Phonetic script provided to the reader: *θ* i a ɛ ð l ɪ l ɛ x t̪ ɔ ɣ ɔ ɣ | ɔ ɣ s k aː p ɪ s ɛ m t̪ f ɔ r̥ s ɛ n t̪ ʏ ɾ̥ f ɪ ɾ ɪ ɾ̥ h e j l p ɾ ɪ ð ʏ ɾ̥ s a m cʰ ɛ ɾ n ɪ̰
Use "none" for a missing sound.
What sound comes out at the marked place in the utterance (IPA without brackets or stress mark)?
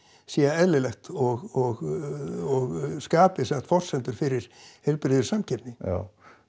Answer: s